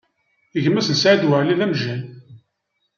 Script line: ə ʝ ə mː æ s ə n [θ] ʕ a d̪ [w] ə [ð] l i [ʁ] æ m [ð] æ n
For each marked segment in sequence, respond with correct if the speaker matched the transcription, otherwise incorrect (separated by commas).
incorrect, correct, incorrect, incorrect, incorrect